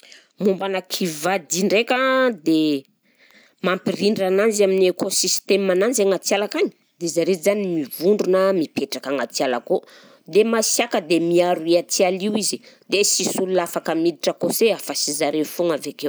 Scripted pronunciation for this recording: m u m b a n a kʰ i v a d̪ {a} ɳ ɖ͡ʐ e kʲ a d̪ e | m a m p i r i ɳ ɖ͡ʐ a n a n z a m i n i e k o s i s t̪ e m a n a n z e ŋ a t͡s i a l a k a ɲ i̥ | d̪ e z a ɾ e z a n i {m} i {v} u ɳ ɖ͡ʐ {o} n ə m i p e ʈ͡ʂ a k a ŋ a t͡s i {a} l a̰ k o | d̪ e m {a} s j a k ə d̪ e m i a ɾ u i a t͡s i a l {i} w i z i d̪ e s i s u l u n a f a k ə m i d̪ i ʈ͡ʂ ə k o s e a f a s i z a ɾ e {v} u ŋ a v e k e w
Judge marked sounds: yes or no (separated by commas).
no, yes, yes, no, yes, yes, yes, no